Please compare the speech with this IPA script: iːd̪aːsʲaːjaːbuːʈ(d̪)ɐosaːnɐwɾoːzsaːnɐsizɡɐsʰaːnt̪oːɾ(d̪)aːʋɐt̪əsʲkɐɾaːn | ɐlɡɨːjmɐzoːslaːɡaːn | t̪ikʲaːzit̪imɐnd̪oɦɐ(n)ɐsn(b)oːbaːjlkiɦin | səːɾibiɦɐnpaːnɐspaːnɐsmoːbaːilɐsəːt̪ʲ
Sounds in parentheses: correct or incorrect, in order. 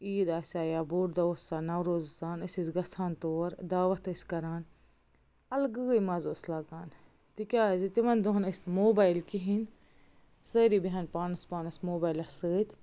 correct, correct, correct, incorrect: m

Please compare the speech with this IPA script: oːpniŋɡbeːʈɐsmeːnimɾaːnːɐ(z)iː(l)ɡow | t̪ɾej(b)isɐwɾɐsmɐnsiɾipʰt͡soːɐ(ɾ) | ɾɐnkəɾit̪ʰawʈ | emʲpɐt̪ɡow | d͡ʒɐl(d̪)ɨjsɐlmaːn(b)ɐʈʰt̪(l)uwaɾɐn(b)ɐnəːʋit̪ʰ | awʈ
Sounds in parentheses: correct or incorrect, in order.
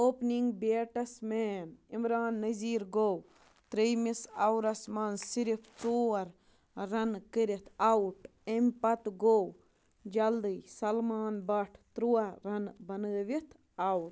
correct, incorrect: ɾ, incorrect: m, correct, correct, correct, incorrect: ɾ, correct

